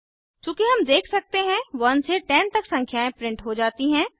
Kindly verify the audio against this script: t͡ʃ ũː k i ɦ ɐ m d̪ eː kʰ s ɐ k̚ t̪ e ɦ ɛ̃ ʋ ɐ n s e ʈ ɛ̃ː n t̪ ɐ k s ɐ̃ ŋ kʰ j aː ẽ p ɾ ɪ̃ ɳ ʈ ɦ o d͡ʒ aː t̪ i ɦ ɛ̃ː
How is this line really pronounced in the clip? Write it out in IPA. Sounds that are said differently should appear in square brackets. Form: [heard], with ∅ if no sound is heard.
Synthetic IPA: t͡ʃ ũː k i ɦ ɐ m d̪ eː kʰ s ɐ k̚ t̪ e ɦ ɛ̃ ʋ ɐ n s e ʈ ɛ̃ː n t̪ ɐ k s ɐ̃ ŋ kʰ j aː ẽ p ɾ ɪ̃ ɳ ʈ ɦ o d͡ʒ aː t̪ i ɦ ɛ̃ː